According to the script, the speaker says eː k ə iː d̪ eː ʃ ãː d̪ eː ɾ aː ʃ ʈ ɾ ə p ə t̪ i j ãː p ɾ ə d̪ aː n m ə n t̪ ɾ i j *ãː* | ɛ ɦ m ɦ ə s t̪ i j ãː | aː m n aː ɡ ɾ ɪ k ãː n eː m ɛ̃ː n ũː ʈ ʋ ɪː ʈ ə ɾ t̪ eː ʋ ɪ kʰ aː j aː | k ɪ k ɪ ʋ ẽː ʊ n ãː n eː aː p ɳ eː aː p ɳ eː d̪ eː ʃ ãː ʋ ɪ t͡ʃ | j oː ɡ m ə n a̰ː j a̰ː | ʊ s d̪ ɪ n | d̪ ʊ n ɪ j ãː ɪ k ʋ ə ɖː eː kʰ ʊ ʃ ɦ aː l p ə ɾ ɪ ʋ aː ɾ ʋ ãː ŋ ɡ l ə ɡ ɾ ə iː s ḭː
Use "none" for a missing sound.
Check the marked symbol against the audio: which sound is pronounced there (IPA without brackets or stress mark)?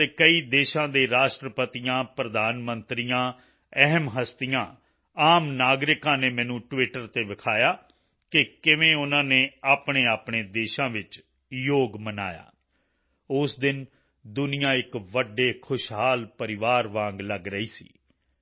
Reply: ãː